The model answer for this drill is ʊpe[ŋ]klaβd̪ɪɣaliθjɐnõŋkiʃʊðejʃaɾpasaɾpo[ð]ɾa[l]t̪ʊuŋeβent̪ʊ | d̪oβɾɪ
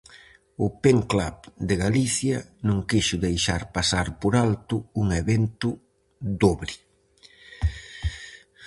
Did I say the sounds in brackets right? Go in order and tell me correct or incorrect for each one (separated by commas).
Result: correct, incorrect, correct